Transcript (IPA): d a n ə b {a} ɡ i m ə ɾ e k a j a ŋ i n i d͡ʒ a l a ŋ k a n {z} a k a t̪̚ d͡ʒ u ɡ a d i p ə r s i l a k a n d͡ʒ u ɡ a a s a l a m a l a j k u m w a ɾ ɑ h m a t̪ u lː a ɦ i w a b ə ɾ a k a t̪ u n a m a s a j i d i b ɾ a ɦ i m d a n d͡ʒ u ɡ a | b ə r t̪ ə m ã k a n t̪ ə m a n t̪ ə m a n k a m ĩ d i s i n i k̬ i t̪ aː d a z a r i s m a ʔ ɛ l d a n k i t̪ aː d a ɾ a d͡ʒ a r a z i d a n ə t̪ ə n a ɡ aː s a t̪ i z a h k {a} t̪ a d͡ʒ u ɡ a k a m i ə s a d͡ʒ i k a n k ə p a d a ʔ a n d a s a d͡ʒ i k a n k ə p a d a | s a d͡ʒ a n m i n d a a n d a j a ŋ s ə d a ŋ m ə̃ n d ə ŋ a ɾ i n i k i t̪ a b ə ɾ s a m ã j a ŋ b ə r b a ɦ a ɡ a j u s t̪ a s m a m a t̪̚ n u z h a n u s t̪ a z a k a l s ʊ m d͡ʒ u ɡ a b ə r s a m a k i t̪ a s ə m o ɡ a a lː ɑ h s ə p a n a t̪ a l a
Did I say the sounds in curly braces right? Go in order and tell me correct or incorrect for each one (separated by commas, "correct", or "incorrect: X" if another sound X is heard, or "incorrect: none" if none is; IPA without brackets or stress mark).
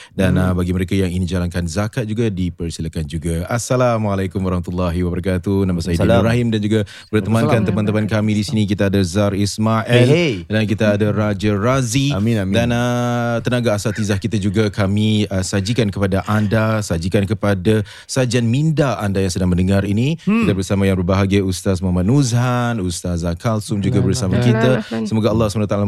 correct, correct, incorrect: i